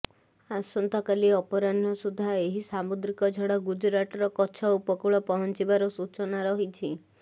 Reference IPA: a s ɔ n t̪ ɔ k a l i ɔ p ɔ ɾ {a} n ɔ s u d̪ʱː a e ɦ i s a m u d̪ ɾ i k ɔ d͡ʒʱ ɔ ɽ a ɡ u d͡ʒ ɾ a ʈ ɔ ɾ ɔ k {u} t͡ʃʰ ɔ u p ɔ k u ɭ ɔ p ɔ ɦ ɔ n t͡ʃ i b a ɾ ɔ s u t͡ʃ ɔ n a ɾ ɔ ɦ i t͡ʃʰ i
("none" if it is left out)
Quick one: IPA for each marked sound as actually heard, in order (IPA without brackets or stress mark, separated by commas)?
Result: a, ɔ